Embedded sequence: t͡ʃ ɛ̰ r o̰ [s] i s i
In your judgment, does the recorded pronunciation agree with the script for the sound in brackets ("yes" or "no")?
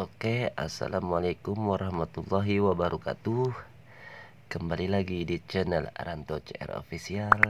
no